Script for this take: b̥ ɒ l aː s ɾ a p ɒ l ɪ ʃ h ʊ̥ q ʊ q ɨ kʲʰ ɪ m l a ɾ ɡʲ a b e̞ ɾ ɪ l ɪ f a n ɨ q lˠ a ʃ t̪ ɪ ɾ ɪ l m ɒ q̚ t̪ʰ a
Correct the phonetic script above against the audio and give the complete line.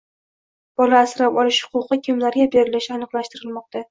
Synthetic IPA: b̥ ɒ l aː s ɾ a p ɒ l ɪ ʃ h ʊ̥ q ʊ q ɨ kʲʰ ɪ m l a ɾ ɡʲ a b e̞ ɾ ɪ l ɪ ʃ a n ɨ q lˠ a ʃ t̪ ɪ ɾ ɪ l m ɒ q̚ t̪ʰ a